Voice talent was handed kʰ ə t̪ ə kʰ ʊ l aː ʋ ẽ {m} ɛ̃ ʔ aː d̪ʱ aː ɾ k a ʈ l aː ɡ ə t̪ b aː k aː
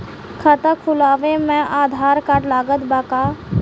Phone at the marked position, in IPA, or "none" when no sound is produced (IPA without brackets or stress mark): m